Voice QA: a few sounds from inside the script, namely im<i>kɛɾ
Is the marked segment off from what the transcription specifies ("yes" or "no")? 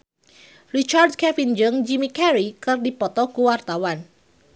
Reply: no